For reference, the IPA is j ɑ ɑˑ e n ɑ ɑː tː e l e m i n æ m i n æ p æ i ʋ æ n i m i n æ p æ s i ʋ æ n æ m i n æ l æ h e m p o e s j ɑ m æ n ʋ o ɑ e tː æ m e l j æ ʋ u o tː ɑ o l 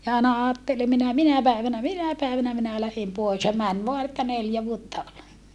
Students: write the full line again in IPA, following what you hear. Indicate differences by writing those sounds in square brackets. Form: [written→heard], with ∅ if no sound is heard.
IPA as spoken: j ɑ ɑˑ e n ɑ ɑː tː e l e m i n æ m i n æ p æ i ʋ æ n [i→æ] m i n æ p æ [s→∅] i ʋ æ n æ m i n æ l æ h e m p o e s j ɑ m æ n ʋ o ɑ e tː æ [m→n] e l j æ ʋ u o tː ɑ o l